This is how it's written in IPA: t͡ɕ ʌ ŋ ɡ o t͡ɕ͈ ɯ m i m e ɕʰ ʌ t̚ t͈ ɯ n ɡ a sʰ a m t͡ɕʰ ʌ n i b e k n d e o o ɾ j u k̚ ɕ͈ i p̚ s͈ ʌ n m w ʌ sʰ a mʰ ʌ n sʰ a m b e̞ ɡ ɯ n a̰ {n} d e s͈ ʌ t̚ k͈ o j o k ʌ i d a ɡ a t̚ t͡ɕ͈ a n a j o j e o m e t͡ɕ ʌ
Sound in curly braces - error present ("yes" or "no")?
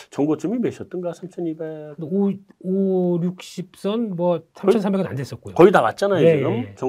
no